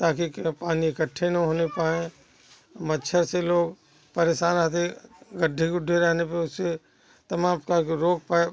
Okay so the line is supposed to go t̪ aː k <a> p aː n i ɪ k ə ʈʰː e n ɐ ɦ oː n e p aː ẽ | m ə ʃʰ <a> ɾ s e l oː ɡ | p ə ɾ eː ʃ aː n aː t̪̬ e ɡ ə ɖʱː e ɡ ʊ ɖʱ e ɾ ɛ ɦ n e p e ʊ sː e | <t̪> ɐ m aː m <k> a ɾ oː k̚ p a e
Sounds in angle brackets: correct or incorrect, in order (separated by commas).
incorrect, incorrect, correct, correct